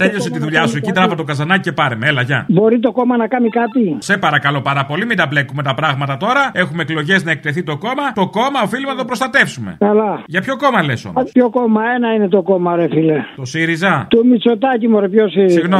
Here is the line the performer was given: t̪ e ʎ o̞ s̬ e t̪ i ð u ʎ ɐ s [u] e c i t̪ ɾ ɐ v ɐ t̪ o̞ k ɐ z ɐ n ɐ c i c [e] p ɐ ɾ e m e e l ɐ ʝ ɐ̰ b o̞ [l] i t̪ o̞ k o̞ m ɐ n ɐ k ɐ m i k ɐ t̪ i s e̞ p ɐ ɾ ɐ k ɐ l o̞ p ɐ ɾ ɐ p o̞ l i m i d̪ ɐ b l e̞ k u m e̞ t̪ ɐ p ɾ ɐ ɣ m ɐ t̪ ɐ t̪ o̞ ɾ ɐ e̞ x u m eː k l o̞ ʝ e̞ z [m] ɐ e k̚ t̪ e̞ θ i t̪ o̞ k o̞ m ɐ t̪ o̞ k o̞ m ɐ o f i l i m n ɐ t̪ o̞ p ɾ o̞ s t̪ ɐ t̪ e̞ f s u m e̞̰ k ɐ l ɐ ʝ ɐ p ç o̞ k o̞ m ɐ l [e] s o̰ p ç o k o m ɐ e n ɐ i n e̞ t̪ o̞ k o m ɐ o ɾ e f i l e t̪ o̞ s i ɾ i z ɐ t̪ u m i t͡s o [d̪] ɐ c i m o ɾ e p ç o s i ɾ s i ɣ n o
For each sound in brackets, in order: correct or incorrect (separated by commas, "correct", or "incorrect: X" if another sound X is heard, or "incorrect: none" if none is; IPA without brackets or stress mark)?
correct, correct, incorrect: ɾ, incorrect: n, correct, incorrect: t̪